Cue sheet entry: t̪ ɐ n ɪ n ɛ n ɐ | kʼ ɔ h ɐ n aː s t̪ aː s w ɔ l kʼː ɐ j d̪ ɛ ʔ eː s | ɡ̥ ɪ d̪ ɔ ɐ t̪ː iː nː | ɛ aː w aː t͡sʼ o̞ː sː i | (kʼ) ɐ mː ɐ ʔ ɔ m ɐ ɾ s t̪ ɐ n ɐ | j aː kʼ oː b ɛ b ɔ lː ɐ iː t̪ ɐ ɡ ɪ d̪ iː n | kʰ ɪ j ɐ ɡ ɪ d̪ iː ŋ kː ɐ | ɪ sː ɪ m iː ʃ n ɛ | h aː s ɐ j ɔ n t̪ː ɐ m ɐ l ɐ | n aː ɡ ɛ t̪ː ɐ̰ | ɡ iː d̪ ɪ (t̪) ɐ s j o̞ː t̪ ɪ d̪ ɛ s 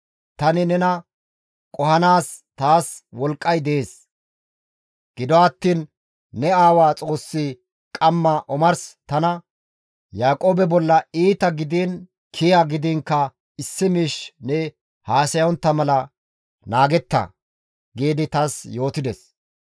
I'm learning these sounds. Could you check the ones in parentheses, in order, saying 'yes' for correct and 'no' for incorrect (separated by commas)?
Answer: yes, yes